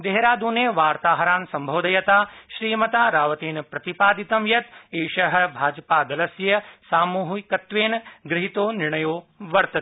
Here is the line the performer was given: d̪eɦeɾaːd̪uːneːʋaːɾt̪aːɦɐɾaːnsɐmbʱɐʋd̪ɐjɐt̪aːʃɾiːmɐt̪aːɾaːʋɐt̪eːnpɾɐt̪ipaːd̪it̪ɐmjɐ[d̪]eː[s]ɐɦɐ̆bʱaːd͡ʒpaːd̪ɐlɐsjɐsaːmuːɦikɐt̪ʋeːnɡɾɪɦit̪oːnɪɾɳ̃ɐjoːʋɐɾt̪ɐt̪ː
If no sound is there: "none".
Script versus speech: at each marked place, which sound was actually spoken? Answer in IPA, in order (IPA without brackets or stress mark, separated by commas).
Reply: t̪, ʃ